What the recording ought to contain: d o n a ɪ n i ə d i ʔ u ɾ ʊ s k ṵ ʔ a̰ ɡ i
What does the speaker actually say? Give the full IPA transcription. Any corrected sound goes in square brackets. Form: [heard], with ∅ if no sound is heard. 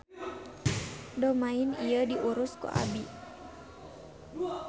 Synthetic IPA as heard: d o [m] a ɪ n i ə d i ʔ u ɾ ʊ s k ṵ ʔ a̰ [b] i

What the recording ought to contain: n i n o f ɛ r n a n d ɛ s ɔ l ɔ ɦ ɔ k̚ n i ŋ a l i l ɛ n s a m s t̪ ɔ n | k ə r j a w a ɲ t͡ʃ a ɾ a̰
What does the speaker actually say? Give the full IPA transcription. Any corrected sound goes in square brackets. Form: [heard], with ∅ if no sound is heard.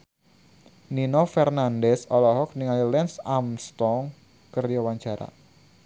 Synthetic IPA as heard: n i n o f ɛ r n a n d ɛ s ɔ l ɔ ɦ ɔ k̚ n i ŋ a l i l ɛ n s a m s t̪ ɔ [ŋ] | k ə r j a w a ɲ t͡ʃ a ɾ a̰

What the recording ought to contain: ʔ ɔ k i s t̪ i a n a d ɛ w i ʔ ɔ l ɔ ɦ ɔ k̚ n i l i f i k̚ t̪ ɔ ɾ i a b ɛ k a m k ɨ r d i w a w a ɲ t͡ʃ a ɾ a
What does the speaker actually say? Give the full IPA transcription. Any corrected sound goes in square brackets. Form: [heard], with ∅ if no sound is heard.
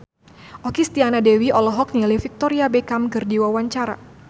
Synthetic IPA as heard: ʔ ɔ k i s t̪ i a n a d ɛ w i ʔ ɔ l ɔ ɦ ɔ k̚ n i l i f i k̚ t̪ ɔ ɾ i a b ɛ k a m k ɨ r d i w a w a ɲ t͡ʃ a ɾ a

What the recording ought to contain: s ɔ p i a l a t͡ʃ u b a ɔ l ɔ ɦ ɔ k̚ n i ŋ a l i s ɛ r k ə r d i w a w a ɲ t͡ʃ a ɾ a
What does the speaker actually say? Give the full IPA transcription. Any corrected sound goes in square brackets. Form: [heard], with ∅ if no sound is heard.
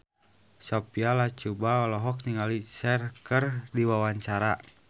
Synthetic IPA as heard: s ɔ p i a l a t͡ʃ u b a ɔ l ɔ ɦ ɔ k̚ n i ŋ a l i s ɛ r k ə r d i w a w a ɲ t͡ʃ a ɾ a

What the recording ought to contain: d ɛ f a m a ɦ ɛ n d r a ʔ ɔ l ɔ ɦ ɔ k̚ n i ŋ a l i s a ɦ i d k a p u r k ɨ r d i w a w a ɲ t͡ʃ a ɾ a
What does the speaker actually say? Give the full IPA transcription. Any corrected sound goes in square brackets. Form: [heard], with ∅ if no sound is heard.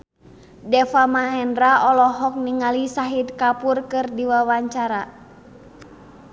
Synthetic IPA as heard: d ɛ f a m a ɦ ɛ n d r a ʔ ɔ l ɔ ɦ ɔ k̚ n i ŋ a l i s a ɦ i d k a p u r k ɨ r d i w a w a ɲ t͡ʃ a ɾ a

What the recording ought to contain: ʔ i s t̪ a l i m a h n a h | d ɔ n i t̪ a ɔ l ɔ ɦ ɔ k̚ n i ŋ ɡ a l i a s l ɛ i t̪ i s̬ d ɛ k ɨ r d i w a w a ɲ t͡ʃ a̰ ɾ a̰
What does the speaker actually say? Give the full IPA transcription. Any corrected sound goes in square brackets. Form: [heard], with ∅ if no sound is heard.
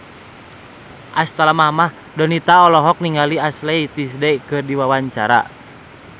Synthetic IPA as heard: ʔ [a] s t̪ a l [a] m a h [m] a h | d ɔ n i t̪ a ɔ l ɔ ɦ ɔ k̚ n i ŋ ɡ a l i a s l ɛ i t̪ i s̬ d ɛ k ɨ r d i w a w a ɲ t͡ʃ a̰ ɾ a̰

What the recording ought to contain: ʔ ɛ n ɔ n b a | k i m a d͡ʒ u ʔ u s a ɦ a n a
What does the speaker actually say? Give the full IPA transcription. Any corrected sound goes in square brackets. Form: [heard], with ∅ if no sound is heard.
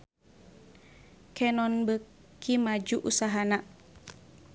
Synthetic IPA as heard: [k] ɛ n ɔ n b [ə] | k i m a d͡ʒ u ʔ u s a ɦ a n a

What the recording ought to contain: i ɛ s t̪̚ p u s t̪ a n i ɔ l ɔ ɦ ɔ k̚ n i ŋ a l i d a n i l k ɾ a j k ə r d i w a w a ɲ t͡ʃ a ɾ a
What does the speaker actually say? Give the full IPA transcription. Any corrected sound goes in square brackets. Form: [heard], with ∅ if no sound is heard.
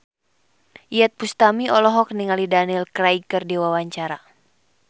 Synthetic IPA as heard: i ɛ [∅] t̪̚ p u s t̪ a [m] i ɔ l ɔ ɦ ɔ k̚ n i ŋ a l i d a n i l k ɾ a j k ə r d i w a w a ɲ t͡ʃ a ɾ a

